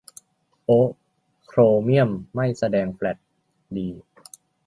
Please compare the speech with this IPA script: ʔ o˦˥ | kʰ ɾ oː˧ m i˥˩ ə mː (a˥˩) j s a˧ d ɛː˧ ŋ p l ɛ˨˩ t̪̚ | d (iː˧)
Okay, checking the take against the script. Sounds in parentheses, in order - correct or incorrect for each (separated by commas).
correct, correct